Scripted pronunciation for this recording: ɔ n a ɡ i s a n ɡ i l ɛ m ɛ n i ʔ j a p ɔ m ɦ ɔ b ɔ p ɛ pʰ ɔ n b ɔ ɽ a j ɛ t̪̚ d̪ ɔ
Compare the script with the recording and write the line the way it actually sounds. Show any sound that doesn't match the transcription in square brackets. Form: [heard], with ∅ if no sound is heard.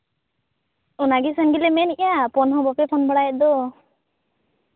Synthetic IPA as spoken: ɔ n a ɡ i s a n ɡ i l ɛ m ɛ n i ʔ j a p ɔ [n] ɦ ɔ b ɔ p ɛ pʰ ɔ n b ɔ ɽ a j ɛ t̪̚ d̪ ɔ